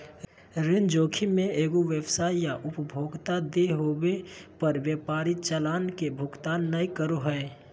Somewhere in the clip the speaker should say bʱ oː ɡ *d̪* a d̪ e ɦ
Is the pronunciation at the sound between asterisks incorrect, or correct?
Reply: incorrect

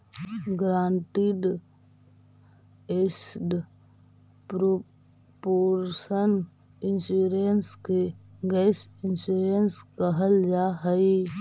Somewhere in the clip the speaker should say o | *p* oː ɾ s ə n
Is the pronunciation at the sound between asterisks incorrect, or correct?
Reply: correct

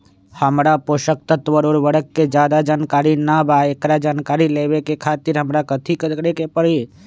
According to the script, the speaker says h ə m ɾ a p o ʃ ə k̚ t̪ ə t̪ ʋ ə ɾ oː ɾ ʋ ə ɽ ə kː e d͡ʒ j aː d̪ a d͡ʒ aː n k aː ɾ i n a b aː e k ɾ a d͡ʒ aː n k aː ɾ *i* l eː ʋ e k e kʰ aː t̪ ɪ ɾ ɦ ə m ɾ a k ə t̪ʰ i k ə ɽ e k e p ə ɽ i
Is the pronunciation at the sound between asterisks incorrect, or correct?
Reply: correct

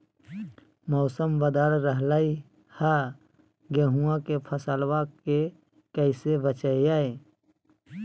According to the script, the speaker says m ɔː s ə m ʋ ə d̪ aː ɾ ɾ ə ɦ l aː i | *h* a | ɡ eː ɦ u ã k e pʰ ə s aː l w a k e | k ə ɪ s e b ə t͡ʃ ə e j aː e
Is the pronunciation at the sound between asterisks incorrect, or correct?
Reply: correct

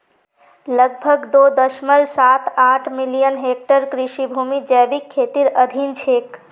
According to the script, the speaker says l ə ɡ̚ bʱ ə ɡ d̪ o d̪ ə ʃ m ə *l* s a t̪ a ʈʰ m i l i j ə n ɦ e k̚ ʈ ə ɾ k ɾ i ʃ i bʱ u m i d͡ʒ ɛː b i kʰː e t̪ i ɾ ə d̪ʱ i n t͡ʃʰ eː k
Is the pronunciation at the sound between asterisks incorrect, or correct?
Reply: correct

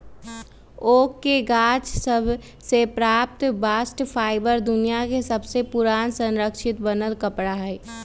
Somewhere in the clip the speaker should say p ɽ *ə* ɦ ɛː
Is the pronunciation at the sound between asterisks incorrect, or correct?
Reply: incorrect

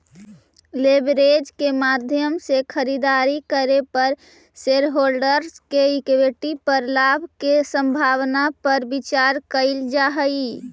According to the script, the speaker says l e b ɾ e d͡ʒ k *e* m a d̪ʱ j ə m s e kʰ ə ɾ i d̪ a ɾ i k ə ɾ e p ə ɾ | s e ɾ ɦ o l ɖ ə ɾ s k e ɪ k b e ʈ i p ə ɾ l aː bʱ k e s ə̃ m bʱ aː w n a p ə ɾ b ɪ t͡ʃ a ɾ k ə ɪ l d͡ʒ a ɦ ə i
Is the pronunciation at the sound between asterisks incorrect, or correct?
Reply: correct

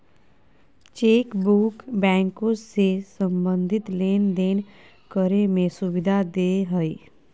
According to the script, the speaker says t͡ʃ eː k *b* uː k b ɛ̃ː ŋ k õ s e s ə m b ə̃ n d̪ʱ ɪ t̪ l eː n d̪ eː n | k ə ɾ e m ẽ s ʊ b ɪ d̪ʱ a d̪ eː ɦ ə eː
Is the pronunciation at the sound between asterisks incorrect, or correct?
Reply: correct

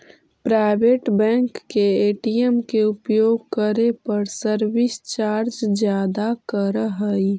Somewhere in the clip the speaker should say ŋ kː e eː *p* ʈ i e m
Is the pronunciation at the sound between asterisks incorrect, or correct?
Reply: incorrect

